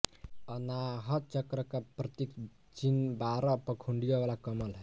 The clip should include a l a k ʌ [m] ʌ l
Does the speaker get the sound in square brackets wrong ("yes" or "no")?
no